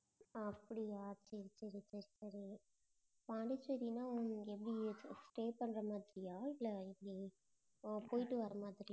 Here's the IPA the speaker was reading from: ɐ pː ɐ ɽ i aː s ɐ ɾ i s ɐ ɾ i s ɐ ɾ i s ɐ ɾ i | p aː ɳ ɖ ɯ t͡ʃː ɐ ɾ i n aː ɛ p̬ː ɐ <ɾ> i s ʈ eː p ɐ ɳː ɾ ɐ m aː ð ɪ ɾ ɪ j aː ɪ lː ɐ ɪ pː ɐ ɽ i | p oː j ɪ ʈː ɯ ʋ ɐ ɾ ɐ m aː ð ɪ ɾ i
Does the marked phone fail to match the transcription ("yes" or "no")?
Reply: yes